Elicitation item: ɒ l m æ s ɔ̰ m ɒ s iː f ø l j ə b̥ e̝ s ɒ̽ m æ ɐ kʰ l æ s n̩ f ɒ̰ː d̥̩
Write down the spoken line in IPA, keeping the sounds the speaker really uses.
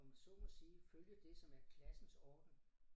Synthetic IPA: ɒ m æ s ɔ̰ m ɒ s iː f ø l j ə d̥ e̝ s ɒ̽ m æ ɐ kʰ l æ s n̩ s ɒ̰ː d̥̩